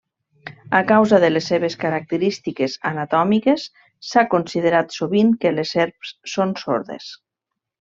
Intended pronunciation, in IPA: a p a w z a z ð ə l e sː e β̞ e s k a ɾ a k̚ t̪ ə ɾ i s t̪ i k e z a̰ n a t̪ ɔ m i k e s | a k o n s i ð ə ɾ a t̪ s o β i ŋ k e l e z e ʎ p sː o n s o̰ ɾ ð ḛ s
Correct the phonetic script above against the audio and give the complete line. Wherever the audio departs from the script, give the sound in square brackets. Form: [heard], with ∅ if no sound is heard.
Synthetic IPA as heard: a [k] a w z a [∅] ð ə l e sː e β̞ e s k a ɾ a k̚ t̪ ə ɾ i s t̪ i k e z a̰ n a t̪ ɔ m i k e [sː] | a k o n s i ð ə ɾ a t̪ s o β i ŋ k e l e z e [ɾ] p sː o n s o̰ ɾ ð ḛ s